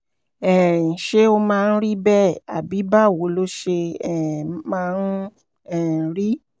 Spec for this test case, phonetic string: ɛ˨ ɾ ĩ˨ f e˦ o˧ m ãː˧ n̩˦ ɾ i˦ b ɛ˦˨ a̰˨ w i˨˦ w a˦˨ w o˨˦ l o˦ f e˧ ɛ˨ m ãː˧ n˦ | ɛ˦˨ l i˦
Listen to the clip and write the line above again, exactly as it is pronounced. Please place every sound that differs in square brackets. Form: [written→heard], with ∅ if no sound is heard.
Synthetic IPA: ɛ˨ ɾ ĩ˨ [f→ʃ] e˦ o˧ m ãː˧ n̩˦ ɾ i˦ b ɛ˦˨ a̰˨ [w→b] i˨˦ [w→b] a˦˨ w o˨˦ l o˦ [f→ʃ] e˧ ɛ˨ m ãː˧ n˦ | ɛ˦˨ [l→ɾ] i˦